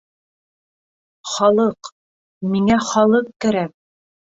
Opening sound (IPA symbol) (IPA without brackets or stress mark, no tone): χ